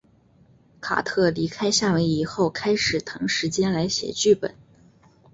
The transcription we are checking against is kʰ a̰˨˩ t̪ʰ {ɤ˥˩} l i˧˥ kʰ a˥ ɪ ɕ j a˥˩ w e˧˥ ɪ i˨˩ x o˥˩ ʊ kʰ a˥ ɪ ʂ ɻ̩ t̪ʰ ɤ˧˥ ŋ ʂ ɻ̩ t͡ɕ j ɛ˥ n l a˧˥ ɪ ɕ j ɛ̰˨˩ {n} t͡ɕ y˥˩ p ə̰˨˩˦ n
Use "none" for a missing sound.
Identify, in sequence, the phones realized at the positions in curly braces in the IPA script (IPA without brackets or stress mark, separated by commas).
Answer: ɤ˥˩, none